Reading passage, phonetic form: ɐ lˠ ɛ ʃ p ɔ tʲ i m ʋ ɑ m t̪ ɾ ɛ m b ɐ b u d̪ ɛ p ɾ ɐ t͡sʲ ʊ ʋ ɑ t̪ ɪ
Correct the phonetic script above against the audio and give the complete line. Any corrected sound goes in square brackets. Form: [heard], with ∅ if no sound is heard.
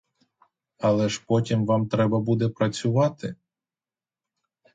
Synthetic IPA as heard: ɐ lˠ ɛ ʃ p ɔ tʲ i m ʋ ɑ m t̪ ɾ ɛ [∅] b ɐ b u d̪ ɛ p ɾ ɐ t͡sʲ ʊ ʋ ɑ t̪ ɪ

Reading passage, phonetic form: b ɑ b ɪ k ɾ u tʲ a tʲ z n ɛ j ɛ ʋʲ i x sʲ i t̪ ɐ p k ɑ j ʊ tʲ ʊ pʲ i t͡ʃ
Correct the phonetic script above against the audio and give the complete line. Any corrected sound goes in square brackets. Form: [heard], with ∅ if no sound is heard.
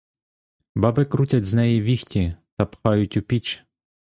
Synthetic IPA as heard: b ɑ b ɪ k ɾ u tʲ [ɐ] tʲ z n ɛ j [i] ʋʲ i x [tʲ] i t̪ ɐ p [x] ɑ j ʊ tʲ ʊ pʲ i t͡ʃ

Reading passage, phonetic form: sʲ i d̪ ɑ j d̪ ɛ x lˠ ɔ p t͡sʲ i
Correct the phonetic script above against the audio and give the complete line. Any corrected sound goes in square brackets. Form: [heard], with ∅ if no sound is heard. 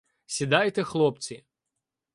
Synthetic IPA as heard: sʲ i d̪ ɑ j [t̪] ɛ x lˠ ɔ p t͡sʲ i

